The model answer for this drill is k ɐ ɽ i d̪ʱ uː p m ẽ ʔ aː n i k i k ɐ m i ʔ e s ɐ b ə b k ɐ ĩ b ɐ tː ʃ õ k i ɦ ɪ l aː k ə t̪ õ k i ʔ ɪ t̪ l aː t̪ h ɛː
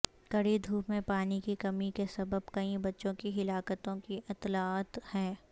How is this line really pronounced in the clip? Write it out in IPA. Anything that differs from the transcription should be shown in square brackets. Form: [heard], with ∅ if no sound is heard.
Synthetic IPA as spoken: k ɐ ɽ i d̪ʱ uː p m ẽ [p] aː n i k i k ɐ m i [k] e s ɐ b ə b k ɐ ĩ b ɐ tː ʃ õ k i ɦ ɪ l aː k ə t̪ õ k i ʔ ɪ t̪ l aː t̪ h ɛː